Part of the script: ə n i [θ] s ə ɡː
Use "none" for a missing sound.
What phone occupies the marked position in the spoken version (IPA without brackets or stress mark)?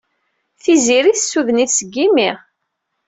θ